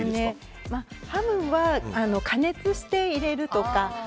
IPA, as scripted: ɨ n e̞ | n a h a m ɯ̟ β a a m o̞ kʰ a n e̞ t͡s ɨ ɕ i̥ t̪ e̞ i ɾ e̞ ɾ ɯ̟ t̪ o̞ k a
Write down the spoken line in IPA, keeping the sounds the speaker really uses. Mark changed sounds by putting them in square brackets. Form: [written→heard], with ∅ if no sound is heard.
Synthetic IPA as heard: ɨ n e̞ | [n→m] a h a m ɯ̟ β a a [m→n] o̞ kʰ a n e̞ t͡s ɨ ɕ i̥ t̪ e̞ i ɾ e̞ ɾ ɯ̟ t̪ o̞ k a